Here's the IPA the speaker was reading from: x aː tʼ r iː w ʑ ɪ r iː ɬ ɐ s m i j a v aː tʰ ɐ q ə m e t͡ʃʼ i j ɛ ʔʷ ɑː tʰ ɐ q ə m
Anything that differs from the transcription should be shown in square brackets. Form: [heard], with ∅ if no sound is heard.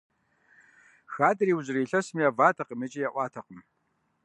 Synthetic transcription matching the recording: x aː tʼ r iː w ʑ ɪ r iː ɬ ɐ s m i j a v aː tʰ ɐ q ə m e t͡ʃʼ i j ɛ ʔʷ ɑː tʰ ɐ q ə m